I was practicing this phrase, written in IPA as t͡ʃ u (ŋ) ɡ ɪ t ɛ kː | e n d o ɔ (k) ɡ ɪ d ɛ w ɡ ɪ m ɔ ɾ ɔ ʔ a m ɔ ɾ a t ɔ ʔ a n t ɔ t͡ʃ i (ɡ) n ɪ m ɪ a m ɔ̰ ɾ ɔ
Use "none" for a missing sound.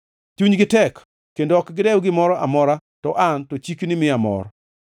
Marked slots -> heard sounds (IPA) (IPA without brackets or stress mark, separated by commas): ɲ, k, k